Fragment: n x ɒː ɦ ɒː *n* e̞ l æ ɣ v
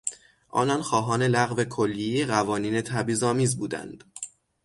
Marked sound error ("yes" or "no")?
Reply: no